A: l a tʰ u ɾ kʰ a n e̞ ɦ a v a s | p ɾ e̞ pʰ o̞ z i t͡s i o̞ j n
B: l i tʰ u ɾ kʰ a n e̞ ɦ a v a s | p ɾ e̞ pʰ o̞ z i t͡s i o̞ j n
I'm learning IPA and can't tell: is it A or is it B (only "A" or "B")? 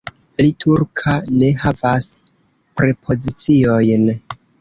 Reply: B